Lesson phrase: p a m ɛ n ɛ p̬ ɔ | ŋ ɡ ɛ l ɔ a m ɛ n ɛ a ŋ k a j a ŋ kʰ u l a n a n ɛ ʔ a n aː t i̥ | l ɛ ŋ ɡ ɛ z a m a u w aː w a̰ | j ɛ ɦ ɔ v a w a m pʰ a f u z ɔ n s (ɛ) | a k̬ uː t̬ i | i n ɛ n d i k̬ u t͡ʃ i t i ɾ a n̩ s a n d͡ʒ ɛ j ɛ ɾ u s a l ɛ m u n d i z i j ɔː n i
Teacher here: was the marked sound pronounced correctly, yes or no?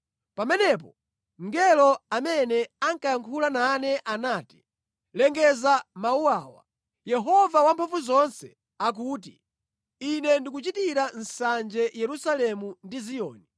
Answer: yes